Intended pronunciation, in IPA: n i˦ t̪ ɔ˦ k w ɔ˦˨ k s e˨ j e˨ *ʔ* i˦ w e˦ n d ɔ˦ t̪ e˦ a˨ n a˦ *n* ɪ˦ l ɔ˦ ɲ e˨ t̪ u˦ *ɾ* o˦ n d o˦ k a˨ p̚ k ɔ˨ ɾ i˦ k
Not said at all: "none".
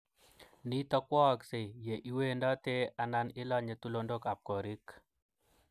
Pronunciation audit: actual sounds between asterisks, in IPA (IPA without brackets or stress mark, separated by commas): ʔ, n, l